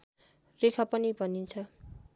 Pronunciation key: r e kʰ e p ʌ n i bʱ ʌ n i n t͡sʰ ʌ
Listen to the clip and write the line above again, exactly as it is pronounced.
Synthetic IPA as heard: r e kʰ a p ʌ n i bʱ ʌ n i n t͡sʰ ʌ

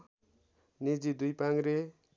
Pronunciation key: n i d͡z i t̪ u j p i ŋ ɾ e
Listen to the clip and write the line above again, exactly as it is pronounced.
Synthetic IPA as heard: n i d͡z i d̪ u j p a ŋ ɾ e

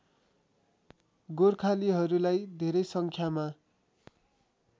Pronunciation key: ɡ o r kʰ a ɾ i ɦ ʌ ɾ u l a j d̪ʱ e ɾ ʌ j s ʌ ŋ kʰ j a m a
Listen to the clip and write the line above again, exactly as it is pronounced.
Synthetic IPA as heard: ɡ o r kʰ a l i ɦ ʌ ɾ u l a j d̪ʱ e ɾ ʌ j s ʌ ŋ kʰ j a m a

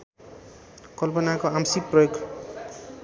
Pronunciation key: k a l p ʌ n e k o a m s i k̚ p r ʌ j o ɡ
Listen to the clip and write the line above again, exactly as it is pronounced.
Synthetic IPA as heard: k ʌ l p ʌ n a k o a m s i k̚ p r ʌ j o ɡ

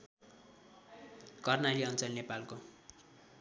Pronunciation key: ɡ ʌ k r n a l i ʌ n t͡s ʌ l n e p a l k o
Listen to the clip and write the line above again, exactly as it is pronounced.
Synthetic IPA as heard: k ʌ r n a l i ʌ n t͡s ʌ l n e p a l k o

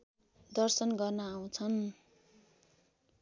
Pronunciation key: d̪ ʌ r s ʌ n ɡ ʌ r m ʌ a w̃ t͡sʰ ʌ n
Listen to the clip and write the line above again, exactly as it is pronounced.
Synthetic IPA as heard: d̪ ʌ r s ʌ n ɡ ʌ r n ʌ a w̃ t͡sʰ ʌ n

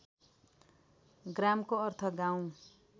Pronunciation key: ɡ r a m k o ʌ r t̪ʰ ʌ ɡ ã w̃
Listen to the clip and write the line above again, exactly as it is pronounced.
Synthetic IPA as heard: ɡ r a m k o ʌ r t̪ʰ ʌ ɡ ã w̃

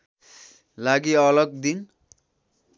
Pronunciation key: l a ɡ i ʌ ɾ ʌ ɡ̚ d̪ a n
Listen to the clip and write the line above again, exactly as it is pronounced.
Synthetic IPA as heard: l a ɡ i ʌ l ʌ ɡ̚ d̪ i n

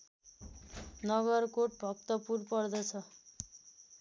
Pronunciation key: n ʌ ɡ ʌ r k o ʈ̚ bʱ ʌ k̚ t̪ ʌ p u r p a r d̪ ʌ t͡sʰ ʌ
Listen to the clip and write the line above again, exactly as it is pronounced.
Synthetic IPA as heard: n ʌ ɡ ʌ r k o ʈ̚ bʱ ʌ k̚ t̪ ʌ p u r p ʌ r d̪ ʌ t͡sʰ ʌ

